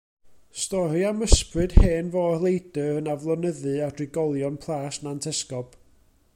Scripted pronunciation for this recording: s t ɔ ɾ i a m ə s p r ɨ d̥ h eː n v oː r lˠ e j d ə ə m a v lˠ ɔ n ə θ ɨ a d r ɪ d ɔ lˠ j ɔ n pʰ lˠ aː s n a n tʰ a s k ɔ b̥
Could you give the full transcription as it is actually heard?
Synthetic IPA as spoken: s t ɔ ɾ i a m ə s p r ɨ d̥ h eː n v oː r lˠ e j d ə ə n a v lˠ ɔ n ə ð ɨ a d r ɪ ɡ ɔ lˠ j ɔ n pʰ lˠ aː s n a n tʰ ɛ s k ɔ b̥